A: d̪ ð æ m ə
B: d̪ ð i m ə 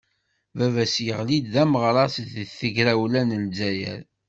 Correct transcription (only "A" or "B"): A